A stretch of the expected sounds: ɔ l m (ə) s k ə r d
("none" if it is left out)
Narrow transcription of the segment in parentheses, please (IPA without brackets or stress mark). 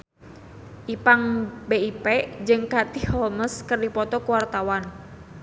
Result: ə